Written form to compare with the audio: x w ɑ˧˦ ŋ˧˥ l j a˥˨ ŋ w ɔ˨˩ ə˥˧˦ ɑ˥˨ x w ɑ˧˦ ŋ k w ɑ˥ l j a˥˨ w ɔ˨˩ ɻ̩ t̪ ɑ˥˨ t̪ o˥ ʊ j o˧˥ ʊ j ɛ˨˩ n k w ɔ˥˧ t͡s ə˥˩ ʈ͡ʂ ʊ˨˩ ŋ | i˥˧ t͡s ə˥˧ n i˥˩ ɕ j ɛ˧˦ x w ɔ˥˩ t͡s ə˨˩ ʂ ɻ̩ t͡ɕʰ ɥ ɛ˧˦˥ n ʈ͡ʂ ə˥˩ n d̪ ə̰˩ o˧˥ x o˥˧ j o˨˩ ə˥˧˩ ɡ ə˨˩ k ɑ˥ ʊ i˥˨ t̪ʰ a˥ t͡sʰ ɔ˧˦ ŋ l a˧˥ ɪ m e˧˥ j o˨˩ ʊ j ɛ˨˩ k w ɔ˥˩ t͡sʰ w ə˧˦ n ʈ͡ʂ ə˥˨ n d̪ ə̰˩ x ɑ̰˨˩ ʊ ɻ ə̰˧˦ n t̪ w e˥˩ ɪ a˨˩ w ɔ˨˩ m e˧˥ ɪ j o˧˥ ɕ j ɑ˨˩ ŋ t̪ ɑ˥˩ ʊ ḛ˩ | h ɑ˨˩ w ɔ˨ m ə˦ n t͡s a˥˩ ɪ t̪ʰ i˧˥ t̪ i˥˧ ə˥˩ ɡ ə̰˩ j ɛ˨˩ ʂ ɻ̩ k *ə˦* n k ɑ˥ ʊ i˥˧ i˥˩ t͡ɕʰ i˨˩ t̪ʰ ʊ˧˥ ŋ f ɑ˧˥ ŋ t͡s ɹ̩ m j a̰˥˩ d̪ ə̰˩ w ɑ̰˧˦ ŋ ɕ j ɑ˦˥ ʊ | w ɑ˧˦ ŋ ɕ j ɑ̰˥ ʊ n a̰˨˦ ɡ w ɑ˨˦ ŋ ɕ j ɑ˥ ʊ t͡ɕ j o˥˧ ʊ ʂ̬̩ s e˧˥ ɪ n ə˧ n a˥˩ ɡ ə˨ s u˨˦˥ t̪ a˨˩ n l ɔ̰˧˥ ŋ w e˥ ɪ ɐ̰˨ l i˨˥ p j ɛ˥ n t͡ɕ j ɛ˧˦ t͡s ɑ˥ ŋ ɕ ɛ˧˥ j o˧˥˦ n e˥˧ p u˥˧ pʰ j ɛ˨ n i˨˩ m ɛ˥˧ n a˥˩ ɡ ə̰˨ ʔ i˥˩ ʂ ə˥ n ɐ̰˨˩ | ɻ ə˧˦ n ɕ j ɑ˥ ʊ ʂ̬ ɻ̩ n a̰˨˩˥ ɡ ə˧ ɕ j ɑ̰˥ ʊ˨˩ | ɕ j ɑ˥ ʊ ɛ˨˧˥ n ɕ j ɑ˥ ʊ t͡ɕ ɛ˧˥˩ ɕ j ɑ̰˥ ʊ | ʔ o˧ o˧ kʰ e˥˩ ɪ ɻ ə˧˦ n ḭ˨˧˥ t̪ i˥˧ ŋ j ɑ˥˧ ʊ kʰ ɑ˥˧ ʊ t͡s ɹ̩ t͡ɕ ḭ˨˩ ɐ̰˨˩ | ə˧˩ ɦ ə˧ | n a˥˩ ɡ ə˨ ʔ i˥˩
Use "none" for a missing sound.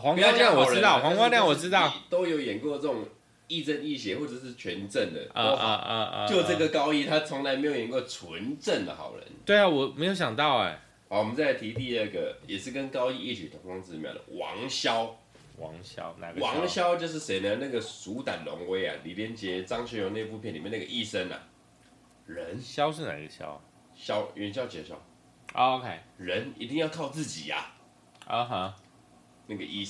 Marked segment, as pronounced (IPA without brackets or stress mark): ə˦